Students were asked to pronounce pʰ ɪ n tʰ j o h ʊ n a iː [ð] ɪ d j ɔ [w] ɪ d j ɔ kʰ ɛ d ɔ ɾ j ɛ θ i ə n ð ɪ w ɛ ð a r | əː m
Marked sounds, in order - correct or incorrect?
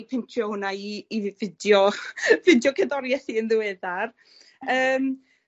incorrect, incorrect

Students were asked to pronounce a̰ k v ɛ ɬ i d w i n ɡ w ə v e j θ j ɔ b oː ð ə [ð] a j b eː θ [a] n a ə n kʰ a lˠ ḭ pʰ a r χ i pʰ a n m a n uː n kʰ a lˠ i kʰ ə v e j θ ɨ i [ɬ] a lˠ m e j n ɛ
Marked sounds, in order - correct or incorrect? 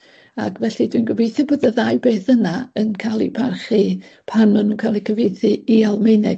correct, incorrect, incorrect

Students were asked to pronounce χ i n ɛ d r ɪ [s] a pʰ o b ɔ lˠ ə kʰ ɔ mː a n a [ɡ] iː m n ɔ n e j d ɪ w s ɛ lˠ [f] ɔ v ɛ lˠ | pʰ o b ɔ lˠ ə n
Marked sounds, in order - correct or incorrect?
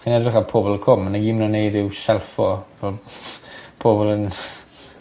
incorrect, correct, correct

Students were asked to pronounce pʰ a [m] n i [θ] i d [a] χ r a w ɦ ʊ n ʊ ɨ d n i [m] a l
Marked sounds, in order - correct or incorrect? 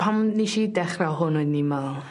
correct, incorrect, incorrect, correct

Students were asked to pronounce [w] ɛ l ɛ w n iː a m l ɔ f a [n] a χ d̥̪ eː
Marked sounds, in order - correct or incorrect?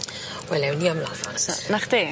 correct, correct

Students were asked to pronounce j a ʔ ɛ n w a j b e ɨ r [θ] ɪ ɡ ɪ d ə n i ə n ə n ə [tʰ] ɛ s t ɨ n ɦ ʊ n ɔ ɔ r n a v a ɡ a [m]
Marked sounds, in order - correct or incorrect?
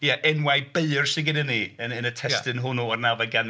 incorrect, correct, incorrect

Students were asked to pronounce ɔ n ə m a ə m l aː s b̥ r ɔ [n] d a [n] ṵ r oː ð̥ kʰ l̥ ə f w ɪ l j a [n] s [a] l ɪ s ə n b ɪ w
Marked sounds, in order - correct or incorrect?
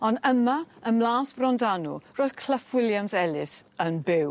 correct, correct, incorrect, incorrect

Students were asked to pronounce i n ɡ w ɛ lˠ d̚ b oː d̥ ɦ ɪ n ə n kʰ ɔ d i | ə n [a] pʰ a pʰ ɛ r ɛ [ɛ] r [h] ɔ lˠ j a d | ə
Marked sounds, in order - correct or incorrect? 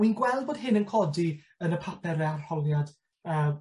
incorrect, incorrect, correct

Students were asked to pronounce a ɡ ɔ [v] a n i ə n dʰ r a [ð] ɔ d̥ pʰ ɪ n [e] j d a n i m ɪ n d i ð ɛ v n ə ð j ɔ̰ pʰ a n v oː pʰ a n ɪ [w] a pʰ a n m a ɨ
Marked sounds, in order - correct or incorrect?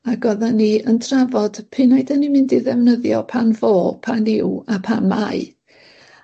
incorrect, incorrect, incorrect, correct

